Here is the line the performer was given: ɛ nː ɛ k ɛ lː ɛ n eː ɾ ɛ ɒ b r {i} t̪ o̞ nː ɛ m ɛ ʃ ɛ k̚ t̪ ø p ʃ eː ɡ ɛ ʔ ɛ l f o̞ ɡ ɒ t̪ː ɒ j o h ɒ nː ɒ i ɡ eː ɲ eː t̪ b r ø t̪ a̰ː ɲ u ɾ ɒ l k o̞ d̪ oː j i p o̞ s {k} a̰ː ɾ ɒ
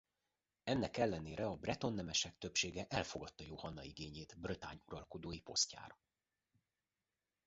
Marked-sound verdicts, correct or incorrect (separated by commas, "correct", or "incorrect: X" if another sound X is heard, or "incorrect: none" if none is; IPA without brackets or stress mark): incorrect: ɛ, incorrect: c